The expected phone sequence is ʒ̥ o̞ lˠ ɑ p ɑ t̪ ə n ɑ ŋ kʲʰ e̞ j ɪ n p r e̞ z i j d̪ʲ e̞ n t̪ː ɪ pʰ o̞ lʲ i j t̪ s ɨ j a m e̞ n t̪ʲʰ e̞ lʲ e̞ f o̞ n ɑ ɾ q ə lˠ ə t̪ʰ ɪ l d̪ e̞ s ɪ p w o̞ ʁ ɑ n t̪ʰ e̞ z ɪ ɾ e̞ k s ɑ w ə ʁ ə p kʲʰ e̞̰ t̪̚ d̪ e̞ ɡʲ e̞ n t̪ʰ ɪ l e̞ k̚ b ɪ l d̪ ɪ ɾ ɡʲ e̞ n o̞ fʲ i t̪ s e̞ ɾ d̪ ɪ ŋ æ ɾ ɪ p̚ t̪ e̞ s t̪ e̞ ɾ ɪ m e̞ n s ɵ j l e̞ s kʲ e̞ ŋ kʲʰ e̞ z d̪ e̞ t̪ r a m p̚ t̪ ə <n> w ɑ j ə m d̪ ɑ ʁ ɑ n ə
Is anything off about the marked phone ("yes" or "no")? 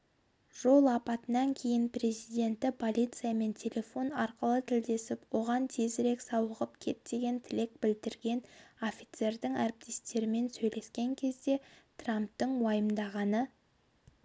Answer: yes